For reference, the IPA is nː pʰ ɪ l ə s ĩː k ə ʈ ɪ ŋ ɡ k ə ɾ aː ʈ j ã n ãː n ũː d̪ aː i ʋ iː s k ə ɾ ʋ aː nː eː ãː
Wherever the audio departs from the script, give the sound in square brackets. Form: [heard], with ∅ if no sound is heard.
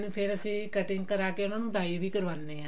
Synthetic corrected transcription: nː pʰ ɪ [ɾ] ə s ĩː k ə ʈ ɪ ŋ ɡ k ə ɾ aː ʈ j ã n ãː n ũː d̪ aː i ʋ iː [∅] k ə ɾ ʋ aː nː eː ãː

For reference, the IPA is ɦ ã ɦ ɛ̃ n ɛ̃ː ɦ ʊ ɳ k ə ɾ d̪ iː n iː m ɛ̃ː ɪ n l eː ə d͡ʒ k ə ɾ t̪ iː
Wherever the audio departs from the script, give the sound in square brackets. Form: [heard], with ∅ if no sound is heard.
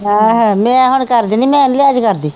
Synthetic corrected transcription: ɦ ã ɦ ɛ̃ [m] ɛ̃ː ɦ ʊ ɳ k ə ɾ d̪ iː n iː m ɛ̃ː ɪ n l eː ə d͡ʒ k ə ɾ [d̪] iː

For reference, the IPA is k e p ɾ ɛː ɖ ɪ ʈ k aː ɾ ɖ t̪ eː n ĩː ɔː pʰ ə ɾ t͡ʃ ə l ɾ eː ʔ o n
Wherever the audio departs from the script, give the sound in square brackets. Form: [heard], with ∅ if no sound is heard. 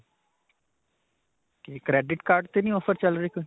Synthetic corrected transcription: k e [k] ɾ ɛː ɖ ɪ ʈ k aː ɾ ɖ t̪ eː n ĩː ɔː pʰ ə ɾ t͡ʃ ə l ɾ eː [k] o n

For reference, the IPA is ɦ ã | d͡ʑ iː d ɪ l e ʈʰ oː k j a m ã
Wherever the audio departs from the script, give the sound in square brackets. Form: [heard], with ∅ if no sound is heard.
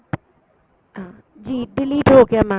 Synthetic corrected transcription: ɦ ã | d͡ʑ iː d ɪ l [i] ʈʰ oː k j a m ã

